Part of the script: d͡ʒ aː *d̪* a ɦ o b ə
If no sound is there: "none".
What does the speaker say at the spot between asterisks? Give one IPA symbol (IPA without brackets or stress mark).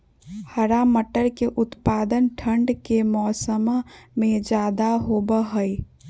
d̪